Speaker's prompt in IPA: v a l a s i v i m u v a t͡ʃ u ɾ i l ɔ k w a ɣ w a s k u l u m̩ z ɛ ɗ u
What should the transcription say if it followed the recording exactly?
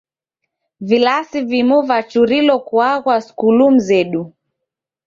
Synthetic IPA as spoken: v i l a s i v i m u v a t͡ʃ u ɾ i l ɔ k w a ɣ w a s k u l u m̩ z ɛ ɗ u